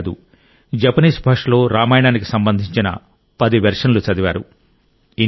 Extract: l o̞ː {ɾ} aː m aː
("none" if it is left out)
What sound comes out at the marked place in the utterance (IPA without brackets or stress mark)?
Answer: ɾ